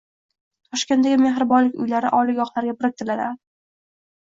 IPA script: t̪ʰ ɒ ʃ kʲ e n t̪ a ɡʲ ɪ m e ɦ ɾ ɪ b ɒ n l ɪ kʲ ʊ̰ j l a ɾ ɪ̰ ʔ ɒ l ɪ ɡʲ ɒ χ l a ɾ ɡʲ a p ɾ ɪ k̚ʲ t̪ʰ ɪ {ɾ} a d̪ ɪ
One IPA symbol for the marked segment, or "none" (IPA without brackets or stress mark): l